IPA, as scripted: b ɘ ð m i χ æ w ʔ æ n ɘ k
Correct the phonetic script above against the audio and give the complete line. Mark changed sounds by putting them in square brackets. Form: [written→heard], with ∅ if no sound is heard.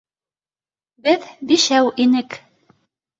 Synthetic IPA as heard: b ɘ ð [m→b] i [χ→ʃ] æ w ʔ [æ→i] n ɘ k

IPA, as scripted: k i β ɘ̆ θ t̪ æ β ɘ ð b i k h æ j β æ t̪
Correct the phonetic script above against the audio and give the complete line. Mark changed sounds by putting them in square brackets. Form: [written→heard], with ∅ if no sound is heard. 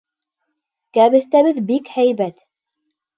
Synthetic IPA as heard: k [i→æ] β ɘ̆ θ t̪ æ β ɘ ð b i k h æ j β æ t̪

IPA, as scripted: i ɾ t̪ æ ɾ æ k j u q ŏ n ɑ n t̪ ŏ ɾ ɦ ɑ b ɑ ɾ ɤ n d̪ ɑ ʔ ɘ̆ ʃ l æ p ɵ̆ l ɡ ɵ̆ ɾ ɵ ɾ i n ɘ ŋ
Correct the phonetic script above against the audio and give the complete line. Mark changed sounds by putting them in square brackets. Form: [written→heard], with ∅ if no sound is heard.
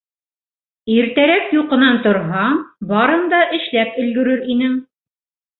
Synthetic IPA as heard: i ɾ t̪ æ ɾ æ k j u q [ŏ→ɤ̆] n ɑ n t̪ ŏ ɾ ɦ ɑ b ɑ ɾ ɤ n d̪ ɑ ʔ ɘ̆ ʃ l æ p ɵ̆ l ɡ ɵ̆ ɾ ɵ ɾ i n ɘ ŋ

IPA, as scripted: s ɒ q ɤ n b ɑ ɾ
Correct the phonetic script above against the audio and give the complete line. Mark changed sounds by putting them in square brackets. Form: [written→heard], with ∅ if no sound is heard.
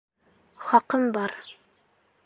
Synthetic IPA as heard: [s→χ] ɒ q ɤ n b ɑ ɾ

